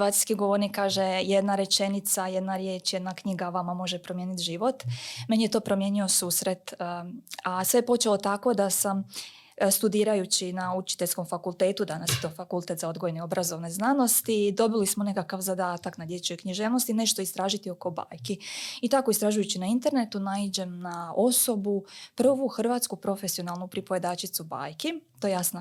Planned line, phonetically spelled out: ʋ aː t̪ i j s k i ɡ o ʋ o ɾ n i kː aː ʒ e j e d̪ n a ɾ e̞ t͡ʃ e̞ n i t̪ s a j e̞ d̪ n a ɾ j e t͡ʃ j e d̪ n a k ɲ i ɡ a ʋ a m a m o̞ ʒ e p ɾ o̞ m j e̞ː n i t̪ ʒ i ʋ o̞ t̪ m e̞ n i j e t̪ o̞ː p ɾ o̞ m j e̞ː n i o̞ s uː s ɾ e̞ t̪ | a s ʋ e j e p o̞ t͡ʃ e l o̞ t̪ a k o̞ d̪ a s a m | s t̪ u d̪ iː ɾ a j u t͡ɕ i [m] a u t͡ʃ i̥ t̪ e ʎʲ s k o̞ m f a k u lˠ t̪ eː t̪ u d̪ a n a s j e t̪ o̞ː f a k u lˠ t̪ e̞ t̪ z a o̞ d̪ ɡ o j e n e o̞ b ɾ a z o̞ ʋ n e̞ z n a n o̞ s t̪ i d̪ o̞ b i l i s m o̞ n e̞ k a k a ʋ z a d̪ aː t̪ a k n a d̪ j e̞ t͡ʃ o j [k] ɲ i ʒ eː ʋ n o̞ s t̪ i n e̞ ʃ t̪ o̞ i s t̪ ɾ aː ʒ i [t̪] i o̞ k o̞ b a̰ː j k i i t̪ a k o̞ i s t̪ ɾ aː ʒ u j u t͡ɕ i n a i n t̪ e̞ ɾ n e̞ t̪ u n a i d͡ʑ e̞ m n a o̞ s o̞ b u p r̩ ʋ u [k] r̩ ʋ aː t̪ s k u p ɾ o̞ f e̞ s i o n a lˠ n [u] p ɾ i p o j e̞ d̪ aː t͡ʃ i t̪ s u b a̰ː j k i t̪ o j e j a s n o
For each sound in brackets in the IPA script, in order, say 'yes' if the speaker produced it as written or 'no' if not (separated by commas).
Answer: no, yes, yes, no, yes